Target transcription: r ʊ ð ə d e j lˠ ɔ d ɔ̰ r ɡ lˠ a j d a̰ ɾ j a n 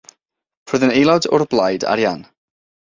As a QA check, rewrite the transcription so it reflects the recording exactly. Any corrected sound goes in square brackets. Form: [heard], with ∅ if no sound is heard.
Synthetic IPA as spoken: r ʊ ð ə [n] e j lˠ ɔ d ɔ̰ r [b] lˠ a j d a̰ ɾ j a n